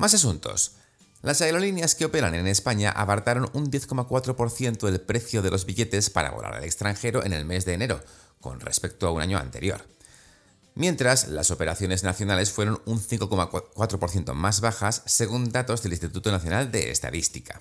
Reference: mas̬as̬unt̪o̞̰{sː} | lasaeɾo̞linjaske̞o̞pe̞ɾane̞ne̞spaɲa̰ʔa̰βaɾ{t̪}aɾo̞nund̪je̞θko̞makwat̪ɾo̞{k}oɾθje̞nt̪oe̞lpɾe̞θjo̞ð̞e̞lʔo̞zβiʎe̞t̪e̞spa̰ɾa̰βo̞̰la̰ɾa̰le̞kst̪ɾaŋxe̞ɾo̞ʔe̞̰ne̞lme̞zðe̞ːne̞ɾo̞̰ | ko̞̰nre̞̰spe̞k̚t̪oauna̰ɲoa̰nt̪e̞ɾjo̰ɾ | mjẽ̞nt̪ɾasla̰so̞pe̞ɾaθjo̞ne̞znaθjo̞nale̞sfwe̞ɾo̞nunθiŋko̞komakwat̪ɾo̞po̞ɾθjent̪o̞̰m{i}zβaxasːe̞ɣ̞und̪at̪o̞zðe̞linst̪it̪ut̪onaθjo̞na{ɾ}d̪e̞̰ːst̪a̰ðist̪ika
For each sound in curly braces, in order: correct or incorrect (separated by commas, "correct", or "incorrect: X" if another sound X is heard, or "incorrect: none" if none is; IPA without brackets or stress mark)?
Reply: incorrect: s, correct, incorrect: p, incorrect: a, incorrect: l